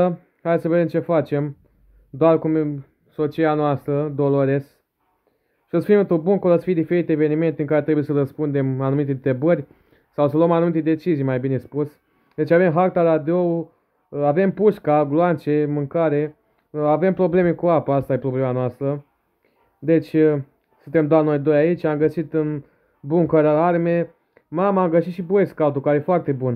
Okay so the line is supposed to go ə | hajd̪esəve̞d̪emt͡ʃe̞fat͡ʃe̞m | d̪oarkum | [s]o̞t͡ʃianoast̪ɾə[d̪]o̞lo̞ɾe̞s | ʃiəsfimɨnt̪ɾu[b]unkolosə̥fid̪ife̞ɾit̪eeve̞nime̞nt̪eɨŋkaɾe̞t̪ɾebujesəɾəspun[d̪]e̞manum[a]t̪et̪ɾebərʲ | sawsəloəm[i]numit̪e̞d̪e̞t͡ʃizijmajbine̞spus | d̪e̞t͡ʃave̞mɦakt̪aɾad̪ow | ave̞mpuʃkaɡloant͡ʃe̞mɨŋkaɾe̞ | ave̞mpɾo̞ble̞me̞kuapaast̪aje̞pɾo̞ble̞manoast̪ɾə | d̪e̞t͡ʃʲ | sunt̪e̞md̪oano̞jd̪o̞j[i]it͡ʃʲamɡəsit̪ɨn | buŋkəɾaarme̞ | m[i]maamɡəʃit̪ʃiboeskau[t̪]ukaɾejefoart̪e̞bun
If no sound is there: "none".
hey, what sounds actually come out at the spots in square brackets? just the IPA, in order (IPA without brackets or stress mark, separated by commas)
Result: s, d̪, b, d̪, i, a, a, a, t̪